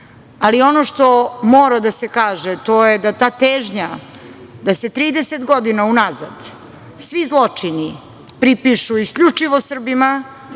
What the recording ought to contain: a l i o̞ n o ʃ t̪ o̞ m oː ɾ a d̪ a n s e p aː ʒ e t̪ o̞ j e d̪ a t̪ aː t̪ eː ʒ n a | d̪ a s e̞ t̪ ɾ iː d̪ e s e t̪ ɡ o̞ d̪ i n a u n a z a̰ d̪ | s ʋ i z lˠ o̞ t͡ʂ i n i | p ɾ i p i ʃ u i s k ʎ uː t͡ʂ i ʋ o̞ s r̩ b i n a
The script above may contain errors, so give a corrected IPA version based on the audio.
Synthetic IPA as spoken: a l i o̞ n o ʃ t̪ o̞ m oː ɾ a d̪ a s e k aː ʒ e t̪ o̞ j e d̪ a t̪ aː t̪ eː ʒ ɲ a | d̪ a s e̞ t̪ ɾ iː d̪ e s e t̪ ɡ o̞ d̪ i n a u n a z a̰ d̪ | s ʋ i z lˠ o̞ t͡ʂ i n i | p ɾ i p i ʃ u i s k ʎ u t͡ʂ i ʋ o̞ s r̩ b i m a